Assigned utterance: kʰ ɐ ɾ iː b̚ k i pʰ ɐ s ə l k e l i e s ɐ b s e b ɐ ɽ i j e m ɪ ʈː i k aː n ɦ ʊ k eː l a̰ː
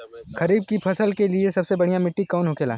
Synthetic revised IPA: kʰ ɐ ɾ iː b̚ k i pʰ ɐ s ə l k e l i e s ɐ b s e b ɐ ɽ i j a m ɪ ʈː i k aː n ɦ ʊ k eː l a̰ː